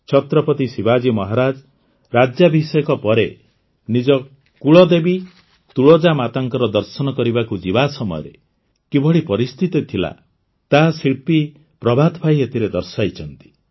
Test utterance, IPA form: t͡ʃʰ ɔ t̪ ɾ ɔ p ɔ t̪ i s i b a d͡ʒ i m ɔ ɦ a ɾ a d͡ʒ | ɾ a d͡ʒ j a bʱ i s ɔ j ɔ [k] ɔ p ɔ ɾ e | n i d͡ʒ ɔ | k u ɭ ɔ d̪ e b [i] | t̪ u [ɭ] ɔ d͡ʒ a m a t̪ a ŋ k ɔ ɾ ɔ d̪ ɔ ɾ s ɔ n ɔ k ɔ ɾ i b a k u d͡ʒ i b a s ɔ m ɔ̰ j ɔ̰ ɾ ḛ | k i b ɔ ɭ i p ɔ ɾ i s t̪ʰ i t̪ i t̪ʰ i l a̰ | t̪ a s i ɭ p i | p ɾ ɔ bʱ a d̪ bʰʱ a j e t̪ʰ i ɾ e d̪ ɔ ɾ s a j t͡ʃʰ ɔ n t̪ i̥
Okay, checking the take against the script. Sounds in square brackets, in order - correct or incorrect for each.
correct, correct, correct

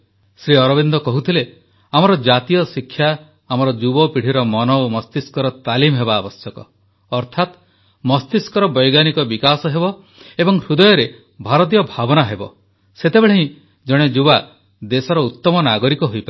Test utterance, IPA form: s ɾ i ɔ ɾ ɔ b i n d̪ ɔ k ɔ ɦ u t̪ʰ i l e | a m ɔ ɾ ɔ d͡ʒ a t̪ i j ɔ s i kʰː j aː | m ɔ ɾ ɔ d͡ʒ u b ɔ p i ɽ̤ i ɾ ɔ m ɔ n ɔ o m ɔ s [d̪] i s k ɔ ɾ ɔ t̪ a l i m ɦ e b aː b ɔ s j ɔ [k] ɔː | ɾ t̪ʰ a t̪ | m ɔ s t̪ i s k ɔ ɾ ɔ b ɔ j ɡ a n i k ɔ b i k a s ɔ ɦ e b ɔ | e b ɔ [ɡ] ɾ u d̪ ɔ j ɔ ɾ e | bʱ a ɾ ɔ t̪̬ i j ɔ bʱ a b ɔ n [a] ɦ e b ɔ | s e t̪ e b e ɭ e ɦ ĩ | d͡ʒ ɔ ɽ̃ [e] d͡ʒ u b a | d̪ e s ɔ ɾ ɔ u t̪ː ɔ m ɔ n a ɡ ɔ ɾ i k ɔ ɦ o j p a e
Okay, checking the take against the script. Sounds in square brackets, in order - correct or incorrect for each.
incorrect: t̪, correct, incorrect: ŋ, correct, correct

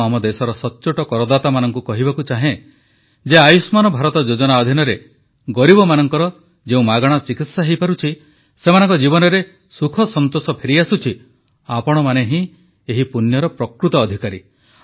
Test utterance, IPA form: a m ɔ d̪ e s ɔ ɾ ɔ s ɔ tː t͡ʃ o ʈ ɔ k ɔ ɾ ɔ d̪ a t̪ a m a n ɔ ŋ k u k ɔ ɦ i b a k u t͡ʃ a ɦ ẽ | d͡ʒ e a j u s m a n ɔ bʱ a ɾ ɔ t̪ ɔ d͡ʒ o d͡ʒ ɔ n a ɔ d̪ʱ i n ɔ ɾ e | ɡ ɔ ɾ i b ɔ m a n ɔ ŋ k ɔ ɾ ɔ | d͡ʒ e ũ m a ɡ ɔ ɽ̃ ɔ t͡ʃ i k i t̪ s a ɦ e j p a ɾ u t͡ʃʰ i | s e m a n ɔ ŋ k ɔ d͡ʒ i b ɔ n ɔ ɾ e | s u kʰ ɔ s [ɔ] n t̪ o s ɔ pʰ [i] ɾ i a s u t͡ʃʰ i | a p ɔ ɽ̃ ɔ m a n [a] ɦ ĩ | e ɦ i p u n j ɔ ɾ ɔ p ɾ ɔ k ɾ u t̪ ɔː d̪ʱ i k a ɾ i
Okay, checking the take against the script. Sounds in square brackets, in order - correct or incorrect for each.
correct, incorrect: e, incorrect: e

